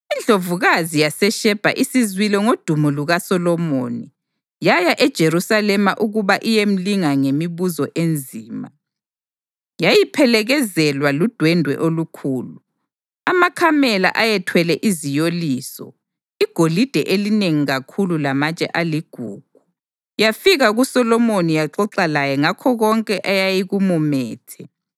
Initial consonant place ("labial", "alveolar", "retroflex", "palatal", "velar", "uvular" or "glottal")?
alveolar